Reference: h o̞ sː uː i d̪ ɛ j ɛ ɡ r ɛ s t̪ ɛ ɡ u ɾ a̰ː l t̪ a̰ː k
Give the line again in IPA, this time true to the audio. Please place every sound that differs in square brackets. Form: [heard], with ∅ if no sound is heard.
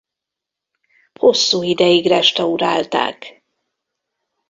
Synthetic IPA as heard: h o̞ sː uː i d̪ ɛ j [i] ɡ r ɛ [ʃ] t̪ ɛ [∅] u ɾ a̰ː l t̪ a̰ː k